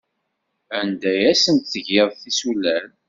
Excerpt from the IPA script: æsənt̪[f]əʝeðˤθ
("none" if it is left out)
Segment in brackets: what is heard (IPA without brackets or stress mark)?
θ